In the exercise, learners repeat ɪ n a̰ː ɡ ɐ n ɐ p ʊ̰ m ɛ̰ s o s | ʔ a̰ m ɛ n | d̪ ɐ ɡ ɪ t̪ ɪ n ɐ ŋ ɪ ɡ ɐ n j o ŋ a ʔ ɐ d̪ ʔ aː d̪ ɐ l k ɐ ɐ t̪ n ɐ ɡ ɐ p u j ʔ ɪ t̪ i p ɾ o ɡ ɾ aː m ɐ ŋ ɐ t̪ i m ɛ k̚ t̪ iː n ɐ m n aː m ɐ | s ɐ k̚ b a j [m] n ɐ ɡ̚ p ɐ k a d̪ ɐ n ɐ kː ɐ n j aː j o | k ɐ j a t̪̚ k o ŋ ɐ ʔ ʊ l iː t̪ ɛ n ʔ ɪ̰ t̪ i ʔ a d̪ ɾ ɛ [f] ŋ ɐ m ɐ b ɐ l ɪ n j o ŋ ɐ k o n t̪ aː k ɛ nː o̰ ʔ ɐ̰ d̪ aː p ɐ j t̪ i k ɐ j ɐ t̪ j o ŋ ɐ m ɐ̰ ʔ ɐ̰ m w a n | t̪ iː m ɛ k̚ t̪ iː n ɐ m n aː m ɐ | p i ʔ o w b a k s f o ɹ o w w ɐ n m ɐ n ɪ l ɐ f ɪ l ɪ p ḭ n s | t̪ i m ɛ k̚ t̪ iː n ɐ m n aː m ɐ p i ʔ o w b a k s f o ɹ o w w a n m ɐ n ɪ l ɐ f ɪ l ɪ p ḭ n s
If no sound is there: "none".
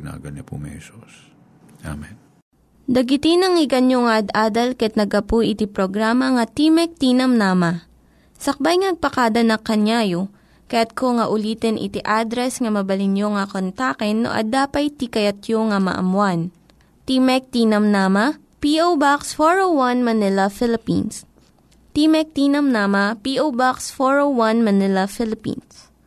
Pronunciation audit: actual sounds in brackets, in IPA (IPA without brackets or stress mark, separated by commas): ŋ, s